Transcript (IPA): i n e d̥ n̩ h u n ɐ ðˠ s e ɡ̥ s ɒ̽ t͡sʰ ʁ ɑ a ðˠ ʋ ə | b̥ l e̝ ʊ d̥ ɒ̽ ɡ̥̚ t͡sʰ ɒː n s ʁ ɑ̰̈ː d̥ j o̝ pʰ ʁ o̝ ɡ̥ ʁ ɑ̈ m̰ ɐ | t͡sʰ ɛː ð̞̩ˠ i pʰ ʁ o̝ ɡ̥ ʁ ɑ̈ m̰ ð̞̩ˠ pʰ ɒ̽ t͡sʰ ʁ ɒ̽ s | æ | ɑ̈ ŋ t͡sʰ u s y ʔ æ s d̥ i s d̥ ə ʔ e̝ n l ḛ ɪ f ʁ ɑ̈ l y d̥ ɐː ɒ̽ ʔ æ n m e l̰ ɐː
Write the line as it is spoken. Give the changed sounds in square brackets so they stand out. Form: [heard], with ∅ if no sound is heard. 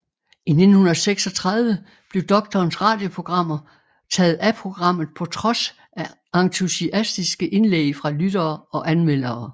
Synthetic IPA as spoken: i n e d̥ n̩ h u n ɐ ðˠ s e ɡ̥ s ɒ̽ t͡sʰ ʁ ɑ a ðˠ ʋ ə | b̥ l e̝ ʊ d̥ ɒ̽ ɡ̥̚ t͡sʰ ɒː n s ʁ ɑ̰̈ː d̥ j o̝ pʰ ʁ o̝ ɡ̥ ʁ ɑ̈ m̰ ɐ | t͡sʰ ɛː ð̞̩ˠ [æ] pʰ ʁ o̝ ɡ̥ ʁ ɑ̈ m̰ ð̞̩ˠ pʰ ɒ̽ t͡sʰ ʁ ɒ̽ s | æ | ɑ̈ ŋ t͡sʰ u s [i] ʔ æ s d̥ i s [ɡ̥] ə ʔ e̝ n l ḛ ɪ f ʁ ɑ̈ l y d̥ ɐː ɒ̽ ʔ æ n m e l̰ ɐː